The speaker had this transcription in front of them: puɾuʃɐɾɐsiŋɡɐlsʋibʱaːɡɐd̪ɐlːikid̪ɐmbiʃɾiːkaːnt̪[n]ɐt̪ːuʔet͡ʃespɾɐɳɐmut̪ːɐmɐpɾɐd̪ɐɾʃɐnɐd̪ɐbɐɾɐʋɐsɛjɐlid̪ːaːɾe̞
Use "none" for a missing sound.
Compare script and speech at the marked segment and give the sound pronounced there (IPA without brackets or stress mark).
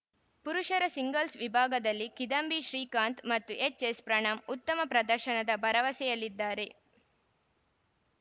m